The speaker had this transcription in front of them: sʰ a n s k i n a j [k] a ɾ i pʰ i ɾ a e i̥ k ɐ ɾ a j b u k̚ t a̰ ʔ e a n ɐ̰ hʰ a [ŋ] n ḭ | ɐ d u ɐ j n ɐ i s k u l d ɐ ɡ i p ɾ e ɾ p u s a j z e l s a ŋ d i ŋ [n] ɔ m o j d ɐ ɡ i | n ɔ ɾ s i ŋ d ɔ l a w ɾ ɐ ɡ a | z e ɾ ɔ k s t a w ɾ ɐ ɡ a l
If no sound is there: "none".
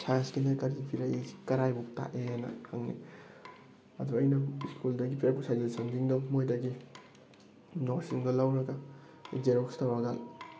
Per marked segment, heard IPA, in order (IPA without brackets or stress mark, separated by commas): k, ŋ, d